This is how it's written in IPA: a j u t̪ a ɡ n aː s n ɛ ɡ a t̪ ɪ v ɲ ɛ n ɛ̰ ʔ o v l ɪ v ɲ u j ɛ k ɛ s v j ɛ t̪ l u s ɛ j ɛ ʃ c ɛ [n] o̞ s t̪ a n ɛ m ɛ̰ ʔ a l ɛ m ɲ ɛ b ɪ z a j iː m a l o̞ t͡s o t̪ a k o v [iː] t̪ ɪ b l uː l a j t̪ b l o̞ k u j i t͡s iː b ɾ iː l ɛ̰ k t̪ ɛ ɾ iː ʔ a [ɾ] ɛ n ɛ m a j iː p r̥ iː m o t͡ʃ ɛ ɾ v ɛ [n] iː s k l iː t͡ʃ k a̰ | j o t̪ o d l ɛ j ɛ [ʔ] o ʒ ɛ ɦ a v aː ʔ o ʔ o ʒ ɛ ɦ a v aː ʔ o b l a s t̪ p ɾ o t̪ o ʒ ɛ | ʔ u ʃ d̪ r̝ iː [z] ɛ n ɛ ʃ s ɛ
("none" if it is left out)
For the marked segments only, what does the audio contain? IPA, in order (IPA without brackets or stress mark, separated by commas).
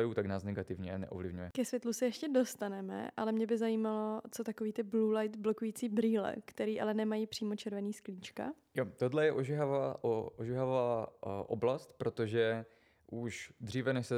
d, iː, l, n, ʔ, v